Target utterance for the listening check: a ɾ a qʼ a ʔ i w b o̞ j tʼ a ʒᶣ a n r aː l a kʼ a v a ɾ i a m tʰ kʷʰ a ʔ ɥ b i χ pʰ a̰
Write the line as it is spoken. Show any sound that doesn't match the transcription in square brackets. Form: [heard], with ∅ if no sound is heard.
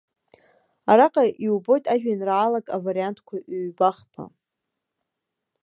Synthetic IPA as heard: a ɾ a qʼ a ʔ i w b o̞ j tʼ a ʒᶣ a n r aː l a kʼ a v a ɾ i a [n] tʰ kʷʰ a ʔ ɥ b [a] χ pʰ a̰